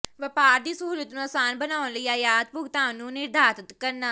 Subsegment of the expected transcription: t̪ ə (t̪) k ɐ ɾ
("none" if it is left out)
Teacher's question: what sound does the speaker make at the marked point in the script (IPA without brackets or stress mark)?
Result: t̪